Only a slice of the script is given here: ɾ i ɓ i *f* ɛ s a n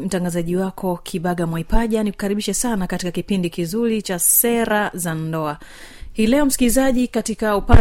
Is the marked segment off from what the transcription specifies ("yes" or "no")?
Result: yes